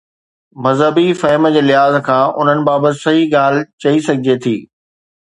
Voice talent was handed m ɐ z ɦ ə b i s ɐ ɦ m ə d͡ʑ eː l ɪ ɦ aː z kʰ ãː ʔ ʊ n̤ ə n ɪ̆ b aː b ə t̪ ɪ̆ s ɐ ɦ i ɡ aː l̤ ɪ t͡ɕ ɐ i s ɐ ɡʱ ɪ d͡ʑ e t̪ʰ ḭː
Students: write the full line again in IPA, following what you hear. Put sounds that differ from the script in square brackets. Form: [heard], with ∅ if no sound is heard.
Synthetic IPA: m ɐ z ɦ ə b i [f] ɐ ɦ m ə d͡ʑ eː l ɪ ɦ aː z kʰ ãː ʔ ʊ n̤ ə n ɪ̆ b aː b ə t̪ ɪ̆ s ɐ ɦ i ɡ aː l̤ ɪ t͡ɕ ɐ i s ɐ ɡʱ ɪ d͡ʑ e t̪ʰ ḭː

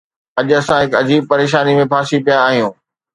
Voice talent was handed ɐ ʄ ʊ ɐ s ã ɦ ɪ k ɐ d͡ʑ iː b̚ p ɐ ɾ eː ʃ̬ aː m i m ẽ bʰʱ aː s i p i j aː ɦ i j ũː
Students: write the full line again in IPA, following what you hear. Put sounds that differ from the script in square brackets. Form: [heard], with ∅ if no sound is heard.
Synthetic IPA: ɐ ʄ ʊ ɐ s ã ɦ ɪ k ɐ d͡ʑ iː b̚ p ɐ ɾ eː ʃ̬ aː [n] i m ẽ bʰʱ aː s i p i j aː ɦ i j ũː

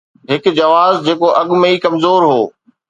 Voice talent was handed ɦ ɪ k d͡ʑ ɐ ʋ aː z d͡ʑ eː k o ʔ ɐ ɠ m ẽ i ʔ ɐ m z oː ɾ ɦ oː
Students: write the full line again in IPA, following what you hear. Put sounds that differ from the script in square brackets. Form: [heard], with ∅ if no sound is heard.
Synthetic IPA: ɦ ɪ k d͡ʑ ɐ ʋ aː z d͡ʑ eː k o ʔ ɐ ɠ m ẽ i [k] ɐ m z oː ɾ ɦ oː

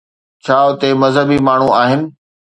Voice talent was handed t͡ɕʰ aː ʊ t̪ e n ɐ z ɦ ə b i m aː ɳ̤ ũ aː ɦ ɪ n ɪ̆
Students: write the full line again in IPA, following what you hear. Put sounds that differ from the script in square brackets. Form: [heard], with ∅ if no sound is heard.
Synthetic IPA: t͡ɕʰ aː ʊ t̪ e [m] ɐ z ɦ ə b i m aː ɳ̤ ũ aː ɦ ɪ n ɪ̆

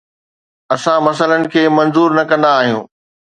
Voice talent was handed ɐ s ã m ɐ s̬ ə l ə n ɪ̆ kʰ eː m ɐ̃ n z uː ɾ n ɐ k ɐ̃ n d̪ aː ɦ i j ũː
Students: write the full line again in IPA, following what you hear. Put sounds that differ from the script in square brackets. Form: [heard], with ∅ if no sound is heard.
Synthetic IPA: ɐ s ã m ɐ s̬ ə l ə n ɪ̆ kʰ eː m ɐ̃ n z uː ɾ n ɐ k ɐ̃ n d̪ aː ɦ i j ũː

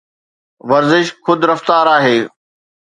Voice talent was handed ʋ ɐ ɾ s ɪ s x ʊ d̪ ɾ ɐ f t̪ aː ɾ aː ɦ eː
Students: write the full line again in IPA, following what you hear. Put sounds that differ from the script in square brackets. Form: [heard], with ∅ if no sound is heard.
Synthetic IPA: ʋ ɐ ɾ [z] ɪ [ʃ] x ʊ d̪ ɾ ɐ f t̪ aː ɾ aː ɦ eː

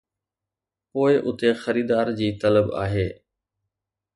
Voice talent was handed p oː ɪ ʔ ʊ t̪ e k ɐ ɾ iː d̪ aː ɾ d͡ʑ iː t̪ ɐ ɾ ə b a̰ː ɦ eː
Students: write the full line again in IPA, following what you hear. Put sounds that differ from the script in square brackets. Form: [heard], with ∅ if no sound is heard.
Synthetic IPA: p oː ɪ ʔ ʊ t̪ e [x] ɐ ɾ iː d̪ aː ɾ d͡ʑ iː t̪ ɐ [l] ə b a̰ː ɦ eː

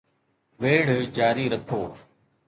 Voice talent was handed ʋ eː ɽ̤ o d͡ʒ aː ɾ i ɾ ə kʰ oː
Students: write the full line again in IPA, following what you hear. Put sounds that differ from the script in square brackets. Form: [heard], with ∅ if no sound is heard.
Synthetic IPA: ʋ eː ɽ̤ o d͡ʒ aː ɾ [iː] ɾ ə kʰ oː

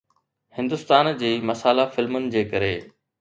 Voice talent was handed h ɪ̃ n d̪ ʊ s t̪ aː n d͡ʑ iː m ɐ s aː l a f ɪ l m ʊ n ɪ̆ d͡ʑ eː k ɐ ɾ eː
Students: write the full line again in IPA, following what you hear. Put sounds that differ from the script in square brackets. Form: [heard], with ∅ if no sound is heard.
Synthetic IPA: h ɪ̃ n d̪ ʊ s t̪ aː n d͡ʑ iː m ɐ s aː l a f ɪ l m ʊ n ɪ̆ d͡ʑ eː k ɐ ɾ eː

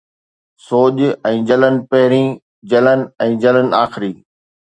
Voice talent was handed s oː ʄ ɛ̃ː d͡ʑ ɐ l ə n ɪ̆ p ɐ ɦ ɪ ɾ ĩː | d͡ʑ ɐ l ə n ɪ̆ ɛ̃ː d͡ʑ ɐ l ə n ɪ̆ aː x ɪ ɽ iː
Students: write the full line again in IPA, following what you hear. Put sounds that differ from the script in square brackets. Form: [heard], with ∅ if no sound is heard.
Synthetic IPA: s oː ʄ ɛ̃ː d͡ʑ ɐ l ə n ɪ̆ p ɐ ɦ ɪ ɾ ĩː | d͡ʑ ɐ l ə n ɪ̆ ɛ̃ː d͡ʑ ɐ l ə n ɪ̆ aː x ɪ [ɾ] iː

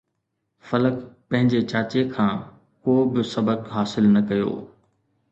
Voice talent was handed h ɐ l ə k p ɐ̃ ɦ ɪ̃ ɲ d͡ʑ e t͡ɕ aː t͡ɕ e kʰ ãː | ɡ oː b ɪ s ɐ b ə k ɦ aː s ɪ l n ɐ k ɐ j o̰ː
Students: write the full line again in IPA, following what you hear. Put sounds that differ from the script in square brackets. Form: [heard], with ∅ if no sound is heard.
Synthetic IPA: [f] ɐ l ə k p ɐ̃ ɦ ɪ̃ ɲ d͡ʑ e t͡ɕ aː t͡ɕ e kʰ ãː | [k] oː b ɪ s ɐ b ə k ɦ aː s ɪ l n ɐ k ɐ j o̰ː

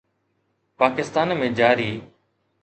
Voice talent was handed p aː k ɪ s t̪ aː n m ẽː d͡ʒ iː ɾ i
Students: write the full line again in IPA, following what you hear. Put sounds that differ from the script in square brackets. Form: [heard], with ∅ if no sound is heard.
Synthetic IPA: p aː k ɪ s t̪ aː n m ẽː d͡ʒ [aː] ɾ [iː]

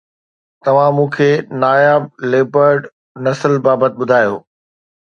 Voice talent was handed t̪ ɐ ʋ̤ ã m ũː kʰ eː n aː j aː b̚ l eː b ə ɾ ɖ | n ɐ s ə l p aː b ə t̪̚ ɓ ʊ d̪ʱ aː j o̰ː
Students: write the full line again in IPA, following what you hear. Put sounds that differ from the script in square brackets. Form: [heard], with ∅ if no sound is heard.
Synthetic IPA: t̪ ɐ ʋ̤ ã m ũː kʰ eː n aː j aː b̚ l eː b ə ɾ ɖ | n ɐ s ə l [b] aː b ə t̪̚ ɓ ʊ d̪ʱ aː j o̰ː

